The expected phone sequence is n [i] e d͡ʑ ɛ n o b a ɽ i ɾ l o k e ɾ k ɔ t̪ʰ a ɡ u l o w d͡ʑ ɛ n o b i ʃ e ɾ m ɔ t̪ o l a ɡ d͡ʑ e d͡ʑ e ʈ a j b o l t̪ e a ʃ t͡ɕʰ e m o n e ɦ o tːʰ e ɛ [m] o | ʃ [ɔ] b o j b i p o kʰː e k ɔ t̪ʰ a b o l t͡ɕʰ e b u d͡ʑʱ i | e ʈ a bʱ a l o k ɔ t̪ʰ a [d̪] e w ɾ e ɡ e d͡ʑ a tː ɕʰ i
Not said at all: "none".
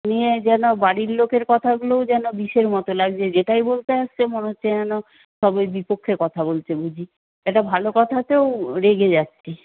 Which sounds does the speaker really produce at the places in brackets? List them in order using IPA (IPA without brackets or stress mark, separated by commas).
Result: i, n, ɔ, t̪